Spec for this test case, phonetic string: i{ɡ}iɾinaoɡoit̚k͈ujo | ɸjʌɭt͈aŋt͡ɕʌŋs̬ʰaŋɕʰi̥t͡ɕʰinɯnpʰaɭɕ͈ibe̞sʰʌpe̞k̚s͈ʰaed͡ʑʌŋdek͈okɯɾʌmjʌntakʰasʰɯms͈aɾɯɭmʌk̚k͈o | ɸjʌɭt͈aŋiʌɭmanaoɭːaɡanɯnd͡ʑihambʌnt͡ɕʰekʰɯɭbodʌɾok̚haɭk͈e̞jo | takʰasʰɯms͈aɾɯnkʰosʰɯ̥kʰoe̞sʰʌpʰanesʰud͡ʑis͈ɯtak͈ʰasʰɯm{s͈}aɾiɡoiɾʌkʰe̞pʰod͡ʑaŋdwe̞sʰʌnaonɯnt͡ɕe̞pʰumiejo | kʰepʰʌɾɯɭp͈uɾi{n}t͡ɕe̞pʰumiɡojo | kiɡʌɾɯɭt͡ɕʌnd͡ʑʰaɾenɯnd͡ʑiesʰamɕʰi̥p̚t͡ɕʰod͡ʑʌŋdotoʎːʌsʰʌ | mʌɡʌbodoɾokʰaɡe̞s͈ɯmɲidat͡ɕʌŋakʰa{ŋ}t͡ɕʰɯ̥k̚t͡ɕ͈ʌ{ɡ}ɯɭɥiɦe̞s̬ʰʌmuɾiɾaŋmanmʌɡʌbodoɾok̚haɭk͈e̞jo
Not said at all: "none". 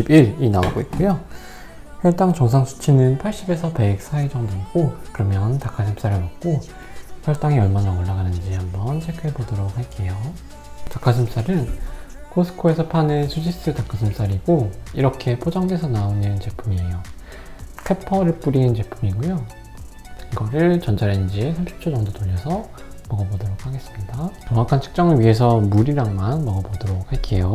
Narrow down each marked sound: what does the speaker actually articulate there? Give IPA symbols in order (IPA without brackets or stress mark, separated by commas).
b, s͈, n, n, ŋ